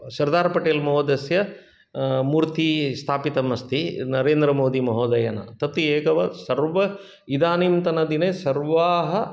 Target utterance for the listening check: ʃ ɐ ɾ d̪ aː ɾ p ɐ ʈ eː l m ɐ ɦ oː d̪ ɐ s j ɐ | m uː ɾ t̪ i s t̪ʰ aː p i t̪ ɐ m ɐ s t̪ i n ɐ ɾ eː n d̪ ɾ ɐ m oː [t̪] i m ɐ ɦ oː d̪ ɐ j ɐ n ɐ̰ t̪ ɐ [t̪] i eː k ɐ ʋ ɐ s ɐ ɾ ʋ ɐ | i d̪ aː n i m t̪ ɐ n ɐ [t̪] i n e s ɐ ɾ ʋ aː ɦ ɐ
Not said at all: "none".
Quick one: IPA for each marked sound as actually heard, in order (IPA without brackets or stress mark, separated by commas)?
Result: d̪, t̪, d̪